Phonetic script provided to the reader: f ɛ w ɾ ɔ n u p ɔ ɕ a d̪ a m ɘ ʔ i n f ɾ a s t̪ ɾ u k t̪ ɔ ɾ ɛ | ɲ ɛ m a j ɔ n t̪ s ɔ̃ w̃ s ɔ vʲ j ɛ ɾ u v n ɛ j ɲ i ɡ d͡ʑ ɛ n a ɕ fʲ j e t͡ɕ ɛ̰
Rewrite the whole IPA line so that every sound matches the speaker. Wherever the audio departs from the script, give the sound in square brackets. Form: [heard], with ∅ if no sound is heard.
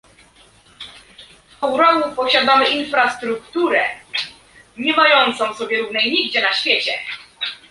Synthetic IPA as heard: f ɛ w ɾ ɔ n u p ɔ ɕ a d̪ a m ɘ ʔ i n f ɾ a s t̪ ɾ u k t̪ [u] ɾ ɛ | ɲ ɛ m a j ɔ n t̪ s ɔ̃ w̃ s ɔ [bʲ] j ɛ ɾ u v n ɛ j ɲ i ɡ d͡ʑ ɛ n a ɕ fʲ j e t͡ɕ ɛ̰